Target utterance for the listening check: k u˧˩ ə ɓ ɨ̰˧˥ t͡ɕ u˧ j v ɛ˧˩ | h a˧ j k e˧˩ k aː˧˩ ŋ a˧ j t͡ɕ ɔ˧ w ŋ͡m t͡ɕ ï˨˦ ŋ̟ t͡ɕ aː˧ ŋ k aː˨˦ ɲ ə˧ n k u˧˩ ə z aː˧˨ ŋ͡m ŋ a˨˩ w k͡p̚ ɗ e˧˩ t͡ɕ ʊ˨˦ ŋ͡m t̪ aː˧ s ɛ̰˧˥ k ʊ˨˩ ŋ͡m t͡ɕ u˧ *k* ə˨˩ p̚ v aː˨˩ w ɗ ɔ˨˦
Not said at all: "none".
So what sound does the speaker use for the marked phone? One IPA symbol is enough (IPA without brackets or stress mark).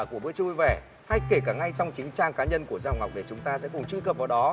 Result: k